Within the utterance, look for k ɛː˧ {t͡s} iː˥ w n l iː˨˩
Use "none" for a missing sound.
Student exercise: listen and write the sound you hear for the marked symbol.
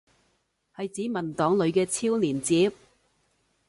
t͡sʰ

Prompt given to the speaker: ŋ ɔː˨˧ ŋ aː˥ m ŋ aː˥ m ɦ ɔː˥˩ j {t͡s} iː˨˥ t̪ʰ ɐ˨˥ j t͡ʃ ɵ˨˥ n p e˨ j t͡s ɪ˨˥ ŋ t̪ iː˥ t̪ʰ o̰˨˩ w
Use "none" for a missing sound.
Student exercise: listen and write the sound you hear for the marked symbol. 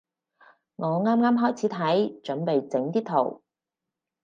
t͡sʰ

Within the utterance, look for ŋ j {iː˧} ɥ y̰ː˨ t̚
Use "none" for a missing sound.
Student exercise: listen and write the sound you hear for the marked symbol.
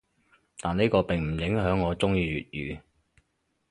iː˧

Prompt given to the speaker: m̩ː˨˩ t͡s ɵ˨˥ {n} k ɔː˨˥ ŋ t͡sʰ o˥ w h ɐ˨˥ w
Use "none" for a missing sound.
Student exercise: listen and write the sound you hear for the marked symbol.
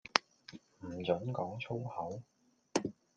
n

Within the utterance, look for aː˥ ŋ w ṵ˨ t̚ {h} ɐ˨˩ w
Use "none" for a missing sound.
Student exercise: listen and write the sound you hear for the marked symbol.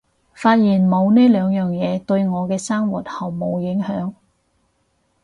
h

